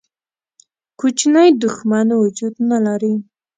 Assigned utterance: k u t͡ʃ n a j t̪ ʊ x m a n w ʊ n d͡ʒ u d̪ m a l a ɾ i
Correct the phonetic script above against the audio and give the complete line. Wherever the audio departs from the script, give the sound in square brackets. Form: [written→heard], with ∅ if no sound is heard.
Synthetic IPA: k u t͡ʃ n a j [t̪→d̪] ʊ x m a n w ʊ [n→∅] d͡ʒ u d̪ [m→n] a l a ɾ i

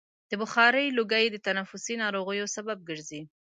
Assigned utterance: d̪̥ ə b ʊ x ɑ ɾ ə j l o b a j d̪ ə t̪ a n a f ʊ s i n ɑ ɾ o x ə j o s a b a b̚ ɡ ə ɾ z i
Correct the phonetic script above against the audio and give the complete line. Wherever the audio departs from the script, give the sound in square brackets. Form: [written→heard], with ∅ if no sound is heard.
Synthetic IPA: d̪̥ ə b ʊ x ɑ ɾ ə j l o [b→ɡ] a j d̪ ə t̪ a n a f ʊ s i n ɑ ɾ o [x→ɣ] ə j o s a b a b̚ ɡ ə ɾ z i

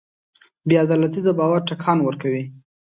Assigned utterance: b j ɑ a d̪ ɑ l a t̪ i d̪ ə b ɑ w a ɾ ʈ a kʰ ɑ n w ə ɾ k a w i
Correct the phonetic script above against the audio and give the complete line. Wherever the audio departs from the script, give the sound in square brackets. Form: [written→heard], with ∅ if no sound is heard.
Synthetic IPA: b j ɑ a d̪ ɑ l a t̪ i d̪ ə b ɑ w a ɾ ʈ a kʰ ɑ n w ə ɾ k a w i

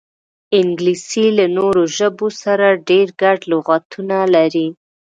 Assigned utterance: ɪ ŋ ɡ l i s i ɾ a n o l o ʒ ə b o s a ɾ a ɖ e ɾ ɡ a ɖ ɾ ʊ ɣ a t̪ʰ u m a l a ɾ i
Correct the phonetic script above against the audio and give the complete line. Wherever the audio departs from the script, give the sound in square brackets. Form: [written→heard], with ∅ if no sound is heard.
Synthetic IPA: ɪ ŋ ɡ l i s i [ɾ→l] a n o [l→ɾ] o ʒ ə b o s a ɾ a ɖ e ɾ ɡ a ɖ [ɾ→l] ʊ ɣ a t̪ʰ u [m→n] a l a ɾ i

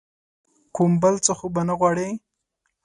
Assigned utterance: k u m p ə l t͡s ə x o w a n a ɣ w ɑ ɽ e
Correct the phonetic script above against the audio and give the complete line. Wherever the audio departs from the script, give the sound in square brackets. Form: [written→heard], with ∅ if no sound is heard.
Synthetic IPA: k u m [p→b] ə l t͡s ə x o [w→b] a n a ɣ w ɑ ɽ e

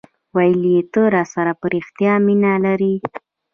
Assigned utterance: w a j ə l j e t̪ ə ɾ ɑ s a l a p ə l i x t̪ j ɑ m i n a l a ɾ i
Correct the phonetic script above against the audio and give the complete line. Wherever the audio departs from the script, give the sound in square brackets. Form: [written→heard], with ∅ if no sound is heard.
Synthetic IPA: w a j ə l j e t̪ ə ɾ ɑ s a [l→ɾ] a p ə [l→ɾ] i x t̪ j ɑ m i n a l a ɾ i

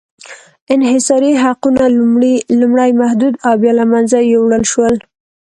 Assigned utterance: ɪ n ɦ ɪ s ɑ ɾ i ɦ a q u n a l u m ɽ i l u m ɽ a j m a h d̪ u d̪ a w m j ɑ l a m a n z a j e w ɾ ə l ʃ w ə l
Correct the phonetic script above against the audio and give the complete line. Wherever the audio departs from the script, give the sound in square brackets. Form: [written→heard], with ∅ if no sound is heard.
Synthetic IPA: ɪ n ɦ ɪ s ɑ ɾ i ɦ a q u n a l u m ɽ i l u m ɽ a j m a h d̪ u d̪ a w [m→b] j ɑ l a m a n z a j e w [ɾ→ɽ] ə l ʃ w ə l

